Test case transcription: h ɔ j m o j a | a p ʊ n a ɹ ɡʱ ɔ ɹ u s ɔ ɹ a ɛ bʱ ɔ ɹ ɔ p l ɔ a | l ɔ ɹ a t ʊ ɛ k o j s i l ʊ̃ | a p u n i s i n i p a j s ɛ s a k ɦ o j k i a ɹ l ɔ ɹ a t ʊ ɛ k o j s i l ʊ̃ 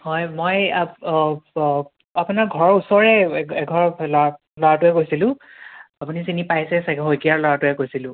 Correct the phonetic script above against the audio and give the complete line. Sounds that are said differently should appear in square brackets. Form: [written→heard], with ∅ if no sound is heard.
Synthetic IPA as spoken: h ɔ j m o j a | a p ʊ n a ɹ ɡʱ ɔ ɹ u s ɔ ɹ [a→ɛ] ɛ [bʱ→ɡʱ] ɔ ɹ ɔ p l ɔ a | l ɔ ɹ a t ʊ ɛ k o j s i l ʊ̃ | a p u n i s i n i p a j s ɛ s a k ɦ o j k i a ɹ l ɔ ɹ a t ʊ ɛ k o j s i l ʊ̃